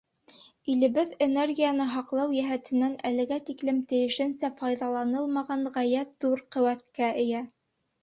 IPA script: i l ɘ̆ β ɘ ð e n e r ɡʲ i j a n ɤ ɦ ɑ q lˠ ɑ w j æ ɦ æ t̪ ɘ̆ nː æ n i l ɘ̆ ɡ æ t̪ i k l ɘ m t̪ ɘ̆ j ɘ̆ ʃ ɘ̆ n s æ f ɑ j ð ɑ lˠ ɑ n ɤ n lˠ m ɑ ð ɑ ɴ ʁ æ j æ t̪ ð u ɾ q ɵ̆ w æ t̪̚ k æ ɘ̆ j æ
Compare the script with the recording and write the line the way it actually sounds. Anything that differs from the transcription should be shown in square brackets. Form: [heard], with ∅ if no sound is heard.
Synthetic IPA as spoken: i l ɘ̆ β ɘ ð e n e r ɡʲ i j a n ɤ ɦ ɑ q lˠ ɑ w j æ ɦ æ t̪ ɘ̆ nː æ n [æ] l ɘ̆ ɡ æ t̪ i k l ɘ m t̪ ɘ̆ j ɘ̆ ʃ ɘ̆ n s æ f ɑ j ð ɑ lˠ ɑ n ɤ [∅] lˠ m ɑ [ʁ] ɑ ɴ ʁ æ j æ t̪ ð u ɾ q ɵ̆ w æ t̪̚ k æ ɘ̆ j æ